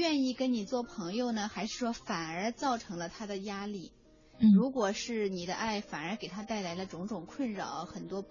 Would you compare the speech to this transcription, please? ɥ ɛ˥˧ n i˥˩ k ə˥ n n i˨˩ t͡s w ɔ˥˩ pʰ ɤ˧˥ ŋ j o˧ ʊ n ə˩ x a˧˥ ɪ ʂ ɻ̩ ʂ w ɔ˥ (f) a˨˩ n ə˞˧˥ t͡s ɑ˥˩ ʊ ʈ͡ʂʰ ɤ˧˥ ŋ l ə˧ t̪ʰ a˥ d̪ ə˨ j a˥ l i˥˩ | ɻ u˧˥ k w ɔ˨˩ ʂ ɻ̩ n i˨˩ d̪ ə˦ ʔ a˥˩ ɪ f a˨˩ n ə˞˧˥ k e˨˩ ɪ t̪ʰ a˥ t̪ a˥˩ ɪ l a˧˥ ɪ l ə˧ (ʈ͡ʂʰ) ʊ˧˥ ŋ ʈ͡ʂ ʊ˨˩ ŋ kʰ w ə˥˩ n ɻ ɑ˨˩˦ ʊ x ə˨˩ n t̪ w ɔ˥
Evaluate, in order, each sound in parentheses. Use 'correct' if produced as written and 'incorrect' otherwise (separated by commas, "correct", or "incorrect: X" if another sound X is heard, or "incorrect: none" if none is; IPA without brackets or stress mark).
correct, incorrect: ʈ͡ʂ